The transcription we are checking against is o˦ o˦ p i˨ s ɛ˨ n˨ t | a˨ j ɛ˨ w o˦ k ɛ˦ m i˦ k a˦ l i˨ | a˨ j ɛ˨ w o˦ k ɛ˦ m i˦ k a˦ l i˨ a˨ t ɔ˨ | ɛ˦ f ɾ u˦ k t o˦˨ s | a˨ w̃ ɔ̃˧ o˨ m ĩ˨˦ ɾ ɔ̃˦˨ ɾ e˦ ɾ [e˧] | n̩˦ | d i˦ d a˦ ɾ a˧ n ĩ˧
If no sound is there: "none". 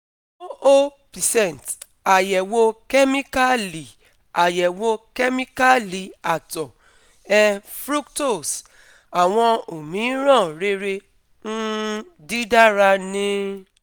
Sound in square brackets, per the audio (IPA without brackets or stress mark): e˧